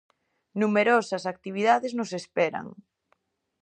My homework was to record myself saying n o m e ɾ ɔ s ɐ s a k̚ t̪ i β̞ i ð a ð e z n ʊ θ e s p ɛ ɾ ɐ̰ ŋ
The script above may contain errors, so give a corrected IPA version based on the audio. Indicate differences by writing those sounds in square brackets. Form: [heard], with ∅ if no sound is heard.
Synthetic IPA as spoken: n [u] m e ɾ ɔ s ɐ s a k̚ t̪ i β̞ i ð a ð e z n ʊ [s] e s p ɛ ɾ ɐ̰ ŋ